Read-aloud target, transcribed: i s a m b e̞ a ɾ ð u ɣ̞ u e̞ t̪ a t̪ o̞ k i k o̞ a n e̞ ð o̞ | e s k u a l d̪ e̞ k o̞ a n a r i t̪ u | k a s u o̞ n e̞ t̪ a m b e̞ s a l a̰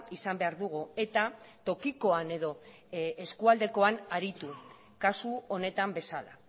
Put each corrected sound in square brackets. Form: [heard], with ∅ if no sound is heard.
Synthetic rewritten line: i s a m b e̞ a ɾ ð u ɣ̞ u e̞ t̪ a t̪ o̞ k i k o̞ a n e̞ ð o̞ | e s k u a l d̪ e̞ k o̞ a n a [ɾ] i t̪ u | k a s u o̞ n e̞ t̪ a m b e̞ s a l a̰